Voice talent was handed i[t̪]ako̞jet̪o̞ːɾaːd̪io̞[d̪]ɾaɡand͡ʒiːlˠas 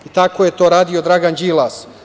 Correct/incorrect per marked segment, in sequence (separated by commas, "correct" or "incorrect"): correct, correct